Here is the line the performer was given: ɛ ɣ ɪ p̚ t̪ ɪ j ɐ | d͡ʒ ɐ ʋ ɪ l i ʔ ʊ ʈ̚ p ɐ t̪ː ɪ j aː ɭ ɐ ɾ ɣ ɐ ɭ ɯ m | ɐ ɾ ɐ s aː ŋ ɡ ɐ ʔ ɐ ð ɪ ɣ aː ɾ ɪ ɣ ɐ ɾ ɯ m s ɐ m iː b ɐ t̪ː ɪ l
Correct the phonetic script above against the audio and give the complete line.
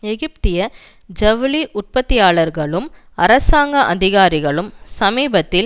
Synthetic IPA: ɛ ɣ ɪ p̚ t̪ ɪ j ɐ | d͡ʒ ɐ ʋ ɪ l i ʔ ʊ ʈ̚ p ɐ t̪ː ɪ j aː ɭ ɐ ɾ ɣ ɐ ɭ ɯ m | ɐ ɾ ɐ s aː ŋ ɡ ɐ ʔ ɐ ð ɪ ɣ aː ɾ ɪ ɣ ɐ ɭ ɯ m s ɐ m iː b ɐ t̪ː ɪ l